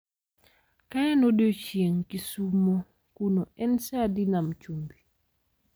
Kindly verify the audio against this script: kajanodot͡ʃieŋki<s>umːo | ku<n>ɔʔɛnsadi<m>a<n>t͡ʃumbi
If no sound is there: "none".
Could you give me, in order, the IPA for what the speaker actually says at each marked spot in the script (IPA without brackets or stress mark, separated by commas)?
s, n, n, m